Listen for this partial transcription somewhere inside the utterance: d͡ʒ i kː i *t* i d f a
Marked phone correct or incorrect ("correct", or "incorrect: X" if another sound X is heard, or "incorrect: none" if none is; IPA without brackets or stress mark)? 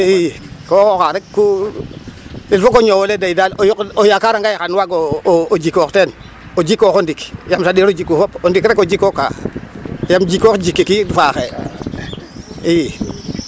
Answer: incorrect: k